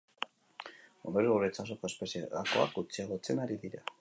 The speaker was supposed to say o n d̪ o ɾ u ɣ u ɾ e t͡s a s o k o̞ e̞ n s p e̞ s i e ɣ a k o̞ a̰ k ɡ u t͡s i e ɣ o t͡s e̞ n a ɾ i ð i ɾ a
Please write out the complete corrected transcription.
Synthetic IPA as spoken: o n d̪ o ɾ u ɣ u ɾ e t͡s a s o k o̞ e̞ s p e̞ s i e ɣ a k o̞ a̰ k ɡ u t͡s i a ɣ o t͡s e̞ n a ɾ i ð i ɾ a